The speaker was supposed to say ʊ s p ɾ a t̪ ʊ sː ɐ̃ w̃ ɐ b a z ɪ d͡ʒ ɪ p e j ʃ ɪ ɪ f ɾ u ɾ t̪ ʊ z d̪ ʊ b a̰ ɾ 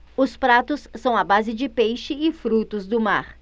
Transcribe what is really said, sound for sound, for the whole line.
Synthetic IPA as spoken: ʊ s p ɾ a t̪ ʊ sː ɐ̃ w̃ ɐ b a z ɪ d͡ʒ ɪ p e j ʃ ɪ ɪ f ɾ u t̪ ʊ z d̪ ʊ m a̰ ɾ

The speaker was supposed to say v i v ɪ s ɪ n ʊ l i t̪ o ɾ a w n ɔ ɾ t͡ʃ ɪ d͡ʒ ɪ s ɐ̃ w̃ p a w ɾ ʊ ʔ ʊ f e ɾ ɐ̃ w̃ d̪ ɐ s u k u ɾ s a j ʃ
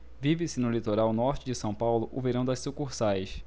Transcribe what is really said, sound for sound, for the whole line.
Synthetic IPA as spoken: v i v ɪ s ɪ n ʊ l i t̪ o ɾ a w n ɔ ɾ t͡ʃ ɪ d͡ʒ ɪ s ɐ̃ w̃ p a w l ʊ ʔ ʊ v e ɾ ɐ̃ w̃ d̪ ɐ s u k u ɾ s a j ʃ

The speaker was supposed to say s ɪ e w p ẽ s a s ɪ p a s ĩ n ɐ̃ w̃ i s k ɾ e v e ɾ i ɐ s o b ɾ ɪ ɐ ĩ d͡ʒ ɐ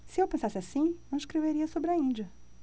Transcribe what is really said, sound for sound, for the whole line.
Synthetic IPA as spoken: s ɪ e w p ẽ s a s ɪ a s ĩ n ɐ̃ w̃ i ʃ k ɾ e v e ɾ i ɐ s o b ɾ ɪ ɐ ĩ d͡ʒ ɐ

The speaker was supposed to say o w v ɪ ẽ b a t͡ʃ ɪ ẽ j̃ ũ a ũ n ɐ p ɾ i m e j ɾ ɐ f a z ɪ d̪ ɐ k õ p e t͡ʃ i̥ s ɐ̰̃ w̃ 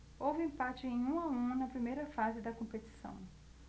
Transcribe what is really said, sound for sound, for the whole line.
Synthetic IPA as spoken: o w v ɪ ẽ p a t͡ʃ ɪ ẽ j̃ ũ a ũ n ɐ p ɾ i m e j ɾ ɐ f a z ɪ d̪ ɐ k õ p e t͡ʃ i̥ s ɐ̰̃ w̃

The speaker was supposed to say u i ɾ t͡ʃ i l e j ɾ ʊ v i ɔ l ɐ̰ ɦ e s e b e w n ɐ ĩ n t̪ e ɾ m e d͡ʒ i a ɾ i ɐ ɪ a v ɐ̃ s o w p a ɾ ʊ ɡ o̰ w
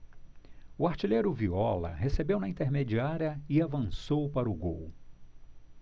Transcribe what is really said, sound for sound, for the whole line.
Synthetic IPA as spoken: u a ɾ t͡ʃ i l e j ɾ ʊ v i ɔ l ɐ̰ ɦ e s e b e w n ɐ ĩ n t̪ e ɾ m e d͡ʒ i a ɾ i ɐ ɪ a v ɐ̃ s o w p a ɾ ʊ ɡ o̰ w

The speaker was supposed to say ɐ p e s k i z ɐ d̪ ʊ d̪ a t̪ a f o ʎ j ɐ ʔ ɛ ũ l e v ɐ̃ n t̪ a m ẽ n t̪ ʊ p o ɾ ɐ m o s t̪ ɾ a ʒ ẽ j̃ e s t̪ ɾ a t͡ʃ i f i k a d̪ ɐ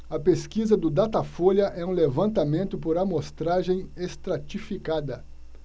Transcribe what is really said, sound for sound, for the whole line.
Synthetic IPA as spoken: ɐ p e s k i z ɐ d̪ ʊ d̪ a t̪ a f o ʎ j ɐ ʔ ɛ ũ l e v ɐ̃ n t̪ a m ẽ n t̪ ʊ p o ɾ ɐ m o s t̪ ɾ a ʒ ẽ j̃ e s t̪ ɾ a t͡ʃ i f i k a d̪ ɐ

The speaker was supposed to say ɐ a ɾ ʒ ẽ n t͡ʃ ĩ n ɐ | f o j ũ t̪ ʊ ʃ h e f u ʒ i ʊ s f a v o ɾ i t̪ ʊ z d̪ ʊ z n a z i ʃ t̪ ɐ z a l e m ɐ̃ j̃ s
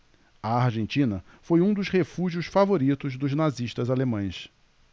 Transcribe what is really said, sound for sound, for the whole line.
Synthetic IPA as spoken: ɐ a ɾ ʒ ẽ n t͡ʃ ĩ n ɐ | f o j ũ d̪ ʊ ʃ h e f u ʒ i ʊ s f a v o ɾ i t̪ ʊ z d̪ ʊ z n a z i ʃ t̪ ɐ z a l e m ɐ̃ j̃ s

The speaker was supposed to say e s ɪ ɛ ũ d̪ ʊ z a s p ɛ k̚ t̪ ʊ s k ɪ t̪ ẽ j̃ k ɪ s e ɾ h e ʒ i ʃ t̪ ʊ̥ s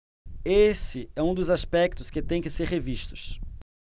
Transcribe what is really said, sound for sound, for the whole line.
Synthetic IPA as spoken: e s ɪ ɛ ũ d̪ ʊ z a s p ɛ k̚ t̪ ʊ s k ɪ t̪ ẽ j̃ k ɪ s e ɾ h e v i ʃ t̪ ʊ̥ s

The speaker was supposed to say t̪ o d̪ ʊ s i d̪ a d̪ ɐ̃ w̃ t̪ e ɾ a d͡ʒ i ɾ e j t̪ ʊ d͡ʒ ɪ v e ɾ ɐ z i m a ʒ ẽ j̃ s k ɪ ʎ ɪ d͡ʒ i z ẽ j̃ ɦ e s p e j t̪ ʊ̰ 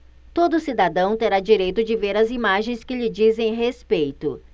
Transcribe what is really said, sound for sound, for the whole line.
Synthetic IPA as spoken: t̪ o d̪ ʊ s i d̪ a d̪ ɐ̃ w̃ t̪ e ɾ a d͡ʒ i ɾ e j t̪ ʊ d͡ʒ ɪ v e ɾ ɐ z i m a ʒ ẽ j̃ s k ɪ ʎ ɪ d͡ʒ i z ẽ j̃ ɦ e s p e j t̪ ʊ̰

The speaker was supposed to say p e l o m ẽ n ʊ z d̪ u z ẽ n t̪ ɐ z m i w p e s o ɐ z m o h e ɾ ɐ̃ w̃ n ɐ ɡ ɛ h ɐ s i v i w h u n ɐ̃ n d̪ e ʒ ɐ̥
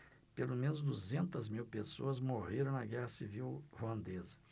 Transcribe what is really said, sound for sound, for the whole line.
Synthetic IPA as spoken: p e l o m ẽ n ʊ z d̪ u z ẽ n t̪ ɐ z m i w p e s o ɐ z m o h e ɾ ɐ̃ w̃ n ɐ ɡ ɛ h ɐ s i v i w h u ɐ̃ n d̪ e z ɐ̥

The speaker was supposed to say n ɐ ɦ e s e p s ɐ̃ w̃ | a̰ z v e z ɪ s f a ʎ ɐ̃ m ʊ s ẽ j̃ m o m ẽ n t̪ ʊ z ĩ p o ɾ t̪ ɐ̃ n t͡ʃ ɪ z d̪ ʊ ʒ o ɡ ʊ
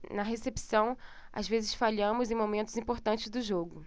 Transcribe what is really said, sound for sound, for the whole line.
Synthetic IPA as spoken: n ɐ ɦ e s e p s ɐ̃ w̃ | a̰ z v e z ɪ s f a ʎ ɐ̃ m ʊ z ẽ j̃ m o m ẽ n t̪ ʊ z ĩ p o ɾ t̪ ɐ̃ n t͡ʃ ɪ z d̪ ʊ ʒ o ɡ ʊ

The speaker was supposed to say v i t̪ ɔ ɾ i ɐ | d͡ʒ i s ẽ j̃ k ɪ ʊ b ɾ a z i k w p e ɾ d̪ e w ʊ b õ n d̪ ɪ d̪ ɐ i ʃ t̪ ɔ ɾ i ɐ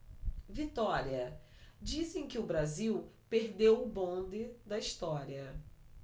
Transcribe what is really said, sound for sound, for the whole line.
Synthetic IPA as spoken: v i t̪ ɔ ɾ i ɐ | d͡ʒ i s ẽ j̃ k ɪ ʊ b ɾ a z i w p e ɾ d̪ e w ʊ b õ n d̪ ɪ d̪ ɐ i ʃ t̪ ɔ ɾ i ɐ

